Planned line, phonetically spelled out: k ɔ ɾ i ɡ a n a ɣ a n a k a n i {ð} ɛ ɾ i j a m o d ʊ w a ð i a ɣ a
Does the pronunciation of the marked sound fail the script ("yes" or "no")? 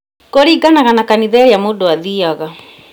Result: no